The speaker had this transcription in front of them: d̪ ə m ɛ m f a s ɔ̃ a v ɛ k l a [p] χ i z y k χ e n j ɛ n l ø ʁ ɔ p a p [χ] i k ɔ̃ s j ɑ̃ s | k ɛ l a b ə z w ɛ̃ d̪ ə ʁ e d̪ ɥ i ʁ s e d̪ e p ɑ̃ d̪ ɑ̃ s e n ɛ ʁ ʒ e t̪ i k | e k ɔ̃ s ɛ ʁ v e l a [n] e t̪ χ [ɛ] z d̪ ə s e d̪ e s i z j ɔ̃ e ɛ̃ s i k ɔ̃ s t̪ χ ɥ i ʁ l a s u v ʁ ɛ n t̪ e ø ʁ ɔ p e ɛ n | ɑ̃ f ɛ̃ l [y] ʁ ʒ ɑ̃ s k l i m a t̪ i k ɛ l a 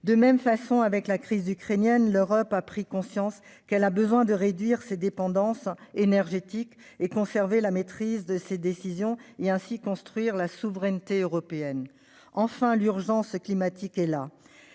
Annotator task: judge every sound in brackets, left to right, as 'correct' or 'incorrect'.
incorrect, correct, incorrect, incorrect, correct

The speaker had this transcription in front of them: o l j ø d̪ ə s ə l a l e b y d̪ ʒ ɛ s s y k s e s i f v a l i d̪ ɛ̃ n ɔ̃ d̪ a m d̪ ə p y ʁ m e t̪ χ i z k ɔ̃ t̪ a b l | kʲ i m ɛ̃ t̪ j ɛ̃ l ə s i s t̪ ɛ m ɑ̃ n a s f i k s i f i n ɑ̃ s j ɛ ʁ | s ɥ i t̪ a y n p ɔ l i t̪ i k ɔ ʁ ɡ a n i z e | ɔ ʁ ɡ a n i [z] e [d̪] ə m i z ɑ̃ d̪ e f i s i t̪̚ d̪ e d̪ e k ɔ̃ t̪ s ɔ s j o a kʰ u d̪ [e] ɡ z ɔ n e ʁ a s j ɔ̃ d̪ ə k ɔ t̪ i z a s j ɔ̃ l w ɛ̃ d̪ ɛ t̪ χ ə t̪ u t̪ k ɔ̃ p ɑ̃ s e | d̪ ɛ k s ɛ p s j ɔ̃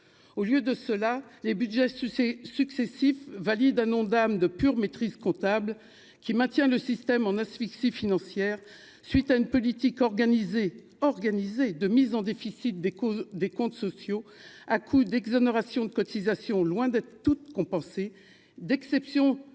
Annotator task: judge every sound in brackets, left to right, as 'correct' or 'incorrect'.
correct, correct, incorrect

